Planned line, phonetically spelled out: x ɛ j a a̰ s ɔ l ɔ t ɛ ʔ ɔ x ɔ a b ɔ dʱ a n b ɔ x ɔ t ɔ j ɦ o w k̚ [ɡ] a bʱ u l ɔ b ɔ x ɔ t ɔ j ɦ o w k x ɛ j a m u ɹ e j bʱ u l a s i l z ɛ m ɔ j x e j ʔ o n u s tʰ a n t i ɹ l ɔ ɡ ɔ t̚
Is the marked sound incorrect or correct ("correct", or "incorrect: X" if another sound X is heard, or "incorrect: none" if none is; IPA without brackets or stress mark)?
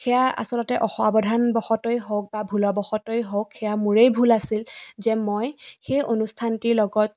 incorrect: b